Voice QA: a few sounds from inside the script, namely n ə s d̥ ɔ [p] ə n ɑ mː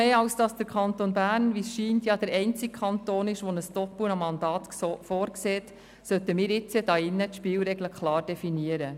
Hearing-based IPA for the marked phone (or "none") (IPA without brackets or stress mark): p